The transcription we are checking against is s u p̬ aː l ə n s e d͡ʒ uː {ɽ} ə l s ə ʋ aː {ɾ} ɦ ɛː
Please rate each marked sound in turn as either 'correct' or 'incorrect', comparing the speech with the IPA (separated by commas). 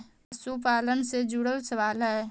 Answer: correct, incorrect